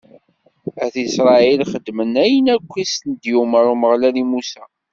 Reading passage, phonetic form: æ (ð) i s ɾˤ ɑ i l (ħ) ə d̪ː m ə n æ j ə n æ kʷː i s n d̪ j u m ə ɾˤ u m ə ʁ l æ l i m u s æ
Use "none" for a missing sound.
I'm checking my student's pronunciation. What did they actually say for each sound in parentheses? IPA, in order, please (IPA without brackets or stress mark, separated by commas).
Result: θ, χ